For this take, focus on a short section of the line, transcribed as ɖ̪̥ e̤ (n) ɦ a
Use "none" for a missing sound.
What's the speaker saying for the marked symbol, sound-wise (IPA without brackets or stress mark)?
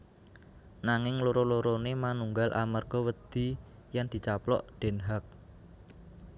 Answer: n